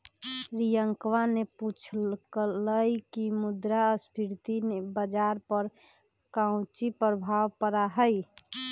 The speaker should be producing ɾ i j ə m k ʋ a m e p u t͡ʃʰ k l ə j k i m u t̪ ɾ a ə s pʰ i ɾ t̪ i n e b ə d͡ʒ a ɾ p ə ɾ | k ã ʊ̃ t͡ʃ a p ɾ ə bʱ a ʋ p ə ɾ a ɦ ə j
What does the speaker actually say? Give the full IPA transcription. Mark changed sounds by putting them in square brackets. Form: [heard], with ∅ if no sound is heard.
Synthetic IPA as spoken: ɾ i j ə [ŋ] k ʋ a [n] e p u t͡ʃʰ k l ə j k i m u [d̪] ɾ a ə s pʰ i ɾ t̪ i n e b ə d͡ʒ a ɾ p ə ɾ | k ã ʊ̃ t͡ʃ [i] p ɾ ə bʱ a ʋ p ə ɾ a ɦ ə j